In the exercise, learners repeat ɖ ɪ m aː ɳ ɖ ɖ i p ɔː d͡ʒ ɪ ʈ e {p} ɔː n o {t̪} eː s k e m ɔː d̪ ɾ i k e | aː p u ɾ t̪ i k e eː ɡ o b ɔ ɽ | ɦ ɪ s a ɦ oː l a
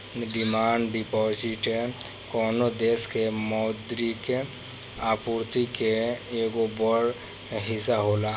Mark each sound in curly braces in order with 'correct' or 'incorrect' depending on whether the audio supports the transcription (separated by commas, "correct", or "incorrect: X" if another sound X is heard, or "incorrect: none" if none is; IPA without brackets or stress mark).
incorrect: k, incorrect: d̪